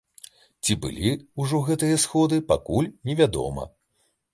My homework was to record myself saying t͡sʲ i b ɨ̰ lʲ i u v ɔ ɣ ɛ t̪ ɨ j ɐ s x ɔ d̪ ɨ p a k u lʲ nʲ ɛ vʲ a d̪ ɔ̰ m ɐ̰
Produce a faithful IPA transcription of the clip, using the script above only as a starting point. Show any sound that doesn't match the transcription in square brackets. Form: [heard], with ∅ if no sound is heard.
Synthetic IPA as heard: t͡sʲ i b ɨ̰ lʲ i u [ʐ] ɔ ɣ ɛ t̪ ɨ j ɐ s x ɔ d̪ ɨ p a k u lʲ nʲ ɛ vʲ a d̪ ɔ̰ m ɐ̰